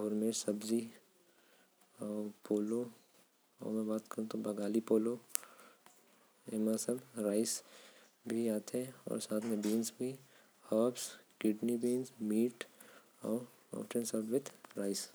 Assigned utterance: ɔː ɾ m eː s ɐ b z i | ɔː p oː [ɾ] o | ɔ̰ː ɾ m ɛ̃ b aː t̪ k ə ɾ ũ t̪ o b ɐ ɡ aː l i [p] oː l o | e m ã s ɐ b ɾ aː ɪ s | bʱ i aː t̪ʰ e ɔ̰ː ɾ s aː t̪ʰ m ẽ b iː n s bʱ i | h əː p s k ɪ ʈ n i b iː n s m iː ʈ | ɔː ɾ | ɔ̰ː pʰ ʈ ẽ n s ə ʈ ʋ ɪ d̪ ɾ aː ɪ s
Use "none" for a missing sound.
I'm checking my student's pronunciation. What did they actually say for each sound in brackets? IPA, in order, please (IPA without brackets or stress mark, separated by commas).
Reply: l, p